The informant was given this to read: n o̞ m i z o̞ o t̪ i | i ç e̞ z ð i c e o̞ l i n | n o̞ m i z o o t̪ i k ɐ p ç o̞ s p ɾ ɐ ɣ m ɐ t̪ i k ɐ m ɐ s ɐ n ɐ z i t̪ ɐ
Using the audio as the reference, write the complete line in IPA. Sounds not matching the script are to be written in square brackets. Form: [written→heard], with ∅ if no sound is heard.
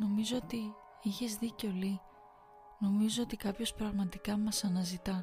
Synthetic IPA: n o̞ m i z o̞ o t̪ i | i ç e̞ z ð i c e o̞ l i [n→∅] | n o̞ m i z o o t̪ i k ɐ p ç o̞ s p ɾ ɐ ɣ m ɐ t̪ i k ɐ m ɐ s ɐ n ɐ z i t̪ ɐ